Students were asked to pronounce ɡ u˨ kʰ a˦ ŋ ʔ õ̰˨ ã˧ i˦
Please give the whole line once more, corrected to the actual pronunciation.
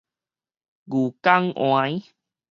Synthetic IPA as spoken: ɡ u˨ k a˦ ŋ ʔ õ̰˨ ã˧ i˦